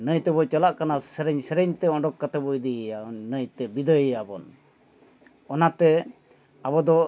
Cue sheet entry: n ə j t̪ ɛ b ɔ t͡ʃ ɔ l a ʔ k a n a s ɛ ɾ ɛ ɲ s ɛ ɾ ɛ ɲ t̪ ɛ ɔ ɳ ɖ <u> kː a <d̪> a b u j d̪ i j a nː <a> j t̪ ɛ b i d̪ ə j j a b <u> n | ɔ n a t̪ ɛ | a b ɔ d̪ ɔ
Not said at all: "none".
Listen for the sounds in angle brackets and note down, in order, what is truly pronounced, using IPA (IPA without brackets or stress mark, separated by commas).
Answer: ɔ, t̪, ə, ɔ